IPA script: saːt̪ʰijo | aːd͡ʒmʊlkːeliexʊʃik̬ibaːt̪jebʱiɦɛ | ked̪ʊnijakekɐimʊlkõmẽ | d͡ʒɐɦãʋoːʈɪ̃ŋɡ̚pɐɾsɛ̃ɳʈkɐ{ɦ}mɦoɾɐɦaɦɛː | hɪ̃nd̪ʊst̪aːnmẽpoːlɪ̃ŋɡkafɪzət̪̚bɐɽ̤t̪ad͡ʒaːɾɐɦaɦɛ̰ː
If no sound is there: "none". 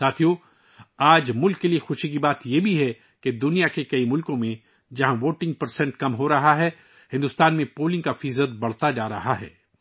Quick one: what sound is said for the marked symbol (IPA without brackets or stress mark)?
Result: none